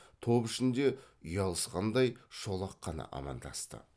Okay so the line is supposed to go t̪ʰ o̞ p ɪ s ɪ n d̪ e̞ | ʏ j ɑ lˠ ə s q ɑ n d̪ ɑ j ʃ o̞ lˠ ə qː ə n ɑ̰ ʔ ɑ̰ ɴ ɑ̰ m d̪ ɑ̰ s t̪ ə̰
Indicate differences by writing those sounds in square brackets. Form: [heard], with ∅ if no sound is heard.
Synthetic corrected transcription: t̪ʰ o̞ p ɪ [ʃ] ɪ n d̪ e̞ | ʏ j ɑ lˠ ə s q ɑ n d̪ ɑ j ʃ o̞ lˠ [ɑ] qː [ɑ] n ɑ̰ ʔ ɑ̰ [m] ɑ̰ [n] d̪ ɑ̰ s t̪ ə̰